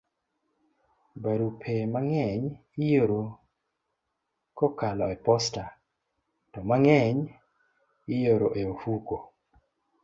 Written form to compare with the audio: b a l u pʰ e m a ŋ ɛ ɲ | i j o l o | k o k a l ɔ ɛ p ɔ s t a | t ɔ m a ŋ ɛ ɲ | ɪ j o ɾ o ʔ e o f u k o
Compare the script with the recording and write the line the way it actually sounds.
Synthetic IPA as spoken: b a ɾ u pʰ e m a ŋ ɛ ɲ | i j o ɾ o | k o k a l ɔ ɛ p ɔ s t a | t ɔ m a ŋ ɛ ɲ | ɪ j o ɾ o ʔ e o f u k o